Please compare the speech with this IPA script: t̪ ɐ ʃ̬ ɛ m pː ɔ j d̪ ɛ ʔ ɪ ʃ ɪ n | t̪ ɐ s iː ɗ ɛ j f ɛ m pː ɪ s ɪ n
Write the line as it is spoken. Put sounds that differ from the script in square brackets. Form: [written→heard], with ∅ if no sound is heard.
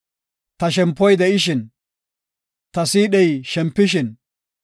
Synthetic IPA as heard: t̪ ɐ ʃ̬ ɛ m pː ɔ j d̪ ɛ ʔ ɪ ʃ ɪ n | t̪ ɐ s iː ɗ ɛ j [f→ʃ] ɛ m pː ɪ [s→ʃ] ɪ n